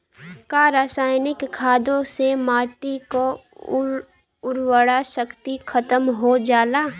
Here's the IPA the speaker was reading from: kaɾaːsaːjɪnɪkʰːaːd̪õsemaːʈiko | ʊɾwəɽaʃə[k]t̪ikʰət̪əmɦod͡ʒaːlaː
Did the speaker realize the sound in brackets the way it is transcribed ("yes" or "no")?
yes